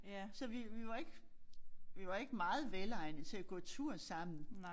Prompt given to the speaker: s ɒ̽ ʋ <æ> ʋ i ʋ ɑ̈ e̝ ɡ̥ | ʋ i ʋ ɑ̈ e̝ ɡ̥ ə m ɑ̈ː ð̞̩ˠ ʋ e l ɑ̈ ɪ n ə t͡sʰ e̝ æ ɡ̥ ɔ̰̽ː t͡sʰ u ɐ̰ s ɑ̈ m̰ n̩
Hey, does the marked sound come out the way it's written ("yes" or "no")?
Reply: no